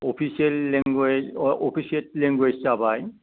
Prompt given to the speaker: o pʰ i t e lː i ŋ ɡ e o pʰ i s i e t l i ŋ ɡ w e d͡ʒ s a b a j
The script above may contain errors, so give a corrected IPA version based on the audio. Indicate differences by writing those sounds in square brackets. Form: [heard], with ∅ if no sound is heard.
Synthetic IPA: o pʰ i [s] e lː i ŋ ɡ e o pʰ i s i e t l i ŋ ɡ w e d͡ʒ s a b a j